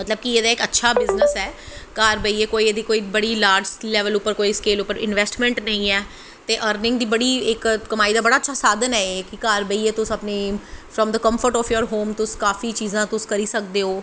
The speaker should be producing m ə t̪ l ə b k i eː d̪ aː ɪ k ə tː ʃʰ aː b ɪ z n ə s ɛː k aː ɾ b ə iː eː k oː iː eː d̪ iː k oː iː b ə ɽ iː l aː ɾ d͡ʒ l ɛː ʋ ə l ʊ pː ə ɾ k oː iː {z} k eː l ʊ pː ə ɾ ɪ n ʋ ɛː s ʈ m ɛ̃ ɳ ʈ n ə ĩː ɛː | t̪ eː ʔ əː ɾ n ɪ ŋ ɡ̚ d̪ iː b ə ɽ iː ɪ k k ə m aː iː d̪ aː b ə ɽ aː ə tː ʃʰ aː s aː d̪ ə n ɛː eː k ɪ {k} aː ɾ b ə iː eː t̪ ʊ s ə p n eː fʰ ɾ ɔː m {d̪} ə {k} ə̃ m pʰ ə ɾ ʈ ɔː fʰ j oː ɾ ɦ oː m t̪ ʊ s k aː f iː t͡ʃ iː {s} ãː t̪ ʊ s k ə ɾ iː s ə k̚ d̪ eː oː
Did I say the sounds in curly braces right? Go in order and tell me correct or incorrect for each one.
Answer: incorrect: s, correct, correct, correct, incorrect: z

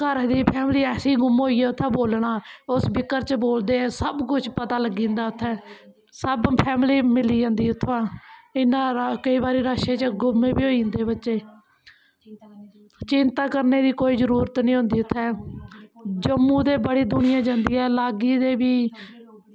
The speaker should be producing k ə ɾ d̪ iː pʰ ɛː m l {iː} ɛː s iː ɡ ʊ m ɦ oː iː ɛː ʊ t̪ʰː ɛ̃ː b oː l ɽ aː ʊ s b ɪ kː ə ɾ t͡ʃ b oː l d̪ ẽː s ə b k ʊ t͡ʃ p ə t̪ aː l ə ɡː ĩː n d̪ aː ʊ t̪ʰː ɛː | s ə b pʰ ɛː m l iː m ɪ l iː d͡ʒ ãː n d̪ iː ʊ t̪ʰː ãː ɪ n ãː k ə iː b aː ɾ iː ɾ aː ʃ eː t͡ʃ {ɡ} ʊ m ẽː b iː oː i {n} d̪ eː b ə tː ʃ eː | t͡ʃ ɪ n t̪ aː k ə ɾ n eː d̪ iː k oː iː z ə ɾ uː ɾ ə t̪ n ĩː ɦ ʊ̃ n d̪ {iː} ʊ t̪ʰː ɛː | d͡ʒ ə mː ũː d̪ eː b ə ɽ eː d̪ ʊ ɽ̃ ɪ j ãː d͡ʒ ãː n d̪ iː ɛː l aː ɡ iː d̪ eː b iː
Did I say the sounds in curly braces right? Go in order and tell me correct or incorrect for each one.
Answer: correct, correct, correct, correct

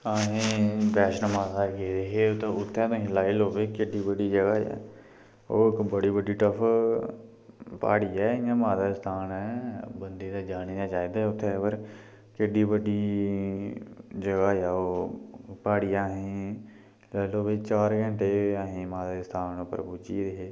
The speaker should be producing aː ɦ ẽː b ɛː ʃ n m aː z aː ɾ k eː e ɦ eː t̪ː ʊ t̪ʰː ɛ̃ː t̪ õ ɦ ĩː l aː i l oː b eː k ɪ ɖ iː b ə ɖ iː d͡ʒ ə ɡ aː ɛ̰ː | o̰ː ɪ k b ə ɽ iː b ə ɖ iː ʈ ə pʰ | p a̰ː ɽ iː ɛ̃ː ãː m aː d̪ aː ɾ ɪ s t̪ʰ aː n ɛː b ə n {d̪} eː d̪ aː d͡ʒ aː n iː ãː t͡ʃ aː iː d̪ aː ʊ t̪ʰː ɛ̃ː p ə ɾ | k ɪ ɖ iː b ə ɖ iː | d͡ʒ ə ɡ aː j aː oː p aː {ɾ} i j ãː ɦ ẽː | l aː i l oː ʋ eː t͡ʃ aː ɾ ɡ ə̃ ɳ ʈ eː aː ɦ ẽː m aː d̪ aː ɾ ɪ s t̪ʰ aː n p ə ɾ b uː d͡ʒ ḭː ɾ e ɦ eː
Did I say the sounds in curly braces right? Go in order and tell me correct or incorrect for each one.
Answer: correct, incorrect: ɽ

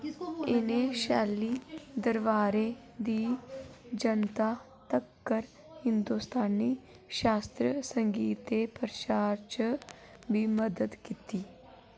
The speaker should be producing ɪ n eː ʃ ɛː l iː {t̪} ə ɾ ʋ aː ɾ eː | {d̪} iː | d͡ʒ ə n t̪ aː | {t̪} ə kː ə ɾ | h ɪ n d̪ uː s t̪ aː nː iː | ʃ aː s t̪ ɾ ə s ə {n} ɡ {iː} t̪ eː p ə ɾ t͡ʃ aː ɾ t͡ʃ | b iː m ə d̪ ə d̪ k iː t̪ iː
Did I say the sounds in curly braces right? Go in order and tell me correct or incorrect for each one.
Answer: incorrect: d̪, correct, correct, incorrect: ŋ, correct

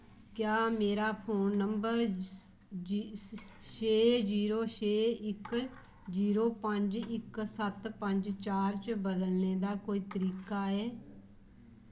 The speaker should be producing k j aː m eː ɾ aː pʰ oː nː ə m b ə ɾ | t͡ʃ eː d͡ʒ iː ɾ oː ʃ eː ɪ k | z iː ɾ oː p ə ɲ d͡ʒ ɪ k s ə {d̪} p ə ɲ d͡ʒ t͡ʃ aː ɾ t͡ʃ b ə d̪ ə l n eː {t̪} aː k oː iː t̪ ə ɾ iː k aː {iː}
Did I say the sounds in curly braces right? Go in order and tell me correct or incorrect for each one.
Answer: incorrect: t̪, incorrect: d̪, incorrect: ɛː

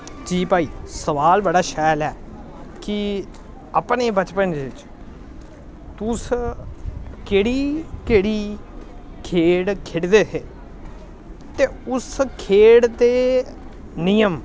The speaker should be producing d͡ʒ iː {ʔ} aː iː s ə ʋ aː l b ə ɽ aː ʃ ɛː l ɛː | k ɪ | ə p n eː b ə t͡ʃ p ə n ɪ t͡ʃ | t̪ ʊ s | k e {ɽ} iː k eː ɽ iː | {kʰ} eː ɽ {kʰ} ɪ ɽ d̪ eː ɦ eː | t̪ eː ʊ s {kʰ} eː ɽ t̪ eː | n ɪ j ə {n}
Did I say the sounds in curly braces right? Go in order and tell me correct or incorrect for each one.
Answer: incorrect: p, correct, correct, correct, correct, incorrect: m

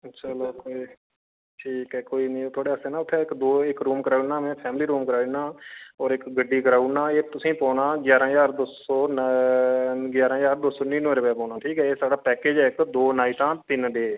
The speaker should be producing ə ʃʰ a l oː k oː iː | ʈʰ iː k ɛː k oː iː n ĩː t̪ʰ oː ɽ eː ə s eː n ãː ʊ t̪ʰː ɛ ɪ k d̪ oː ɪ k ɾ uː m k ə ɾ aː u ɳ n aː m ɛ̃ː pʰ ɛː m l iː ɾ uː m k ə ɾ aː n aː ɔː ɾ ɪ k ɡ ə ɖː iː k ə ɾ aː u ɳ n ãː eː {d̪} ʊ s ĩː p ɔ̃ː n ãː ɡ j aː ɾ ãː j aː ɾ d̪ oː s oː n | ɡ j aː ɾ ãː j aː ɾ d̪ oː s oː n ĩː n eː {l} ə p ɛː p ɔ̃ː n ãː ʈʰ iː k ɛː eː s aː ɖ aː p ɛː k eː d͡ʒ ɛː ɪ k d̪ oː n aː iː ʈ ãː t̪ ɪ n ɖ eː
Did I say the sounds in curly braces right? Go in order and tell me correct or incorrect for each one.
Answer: incorrect: t̪, incorrect: ɾ

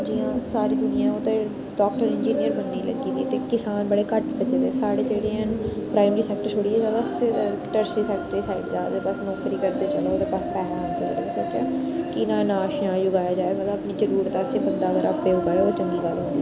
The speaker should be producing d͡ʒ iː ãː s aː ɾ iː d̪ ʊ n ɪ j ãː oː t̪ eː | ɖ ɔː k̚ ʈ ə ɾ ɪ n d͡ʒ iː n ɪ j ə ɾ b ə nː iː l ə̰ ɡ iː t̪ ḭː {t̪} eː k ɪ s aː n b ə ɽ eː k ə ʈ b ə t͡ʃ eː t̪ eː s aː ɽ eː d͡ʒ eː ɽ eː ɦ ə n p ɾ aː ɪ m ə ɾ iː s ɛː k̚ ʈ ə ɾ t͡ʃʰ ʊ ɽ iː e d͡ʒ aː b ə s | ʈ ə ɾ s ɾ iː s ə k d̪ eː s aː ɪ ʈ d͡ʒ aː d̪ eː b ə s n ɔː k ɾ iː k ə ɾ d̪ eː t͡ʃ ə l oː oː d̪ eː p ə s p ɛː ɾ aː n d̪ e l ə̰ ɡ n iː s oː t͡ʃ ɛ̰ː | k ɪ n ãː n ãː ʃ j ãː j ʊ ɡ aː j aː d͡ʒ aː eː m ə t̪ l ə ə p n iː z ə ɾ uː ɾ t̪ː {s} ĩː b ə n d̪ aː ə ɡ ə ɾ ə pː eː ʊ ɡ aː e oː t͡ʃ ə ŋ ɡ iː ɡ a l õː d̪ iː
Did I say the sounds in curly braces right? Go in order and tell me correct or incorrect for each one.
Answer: correct, correct

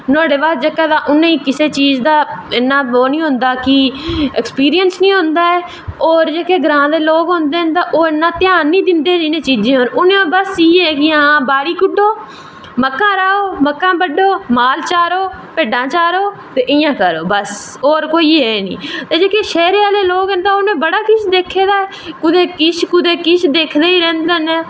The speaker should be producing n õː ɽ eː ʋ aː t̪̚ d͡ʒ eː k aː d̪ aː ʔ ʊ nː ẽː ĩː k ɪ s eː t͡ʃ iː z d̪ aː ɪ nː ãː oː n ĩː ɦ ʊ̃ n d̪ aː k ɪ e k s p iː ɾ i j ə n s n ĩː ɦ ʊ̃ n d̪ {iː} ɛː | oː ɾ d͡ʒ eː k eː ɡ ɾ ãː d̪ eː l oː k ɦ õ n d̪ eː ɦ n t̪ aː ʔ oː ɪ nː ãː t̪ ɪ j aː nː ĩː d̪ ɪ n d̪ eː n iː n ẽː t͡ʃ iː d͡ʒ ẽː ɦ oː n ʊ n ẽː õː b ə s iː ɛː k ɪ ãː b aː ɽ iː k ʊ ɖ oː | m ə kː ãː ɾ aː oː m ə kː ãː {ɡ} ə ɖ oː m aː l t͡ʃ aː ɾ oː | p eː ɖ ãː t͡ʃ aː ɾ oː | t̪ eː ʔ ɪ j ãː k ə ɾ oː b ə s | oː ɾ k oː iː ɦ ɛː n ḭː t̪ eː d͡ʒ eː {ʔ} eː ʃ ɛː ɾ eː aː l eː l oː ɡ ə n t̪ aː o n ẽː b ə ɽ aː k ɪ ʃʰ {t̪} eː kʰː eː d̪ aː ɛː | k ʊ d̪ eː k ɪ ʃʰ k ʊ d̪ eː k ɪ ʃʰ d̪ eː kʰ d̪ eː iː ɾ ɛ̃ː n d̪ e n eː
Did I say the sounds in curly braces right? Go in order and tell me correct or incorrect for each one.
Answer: incorrect: aː, incorrect: b, incorrect: k, incorrect: d̪

